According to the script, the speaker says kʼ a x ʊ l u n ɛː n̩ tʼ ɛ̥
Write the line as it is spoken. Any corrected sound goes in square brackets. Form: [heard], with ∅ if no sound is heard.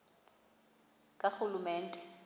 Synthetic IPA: kʼ a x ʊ l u [m] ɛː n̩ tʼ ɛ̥